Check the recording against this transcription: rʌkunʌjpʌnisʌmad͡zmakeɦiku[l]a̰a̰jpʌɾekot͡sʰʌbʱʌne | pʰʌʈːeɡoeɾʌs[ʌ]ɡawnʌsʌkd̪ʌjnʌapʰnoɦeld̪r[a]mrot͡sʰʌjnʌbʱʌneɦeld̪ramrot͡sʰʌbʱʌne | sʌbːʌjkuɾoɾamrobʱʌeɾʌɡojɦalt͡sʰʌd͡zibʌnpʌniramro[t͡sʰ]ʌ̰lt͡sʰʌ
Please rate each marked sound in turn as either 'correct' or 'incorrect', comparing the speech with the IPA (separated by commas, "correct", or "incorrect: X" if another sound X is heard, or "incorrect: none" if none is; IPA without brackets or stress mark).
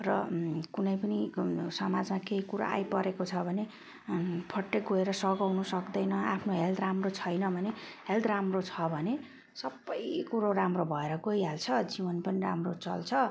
incorrect: ɾ, correct, correct, incorrect: t͡s